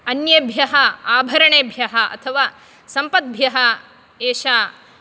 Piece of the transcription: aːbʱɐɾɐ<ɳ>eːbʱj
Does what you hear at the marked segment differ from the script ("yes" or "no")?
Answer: no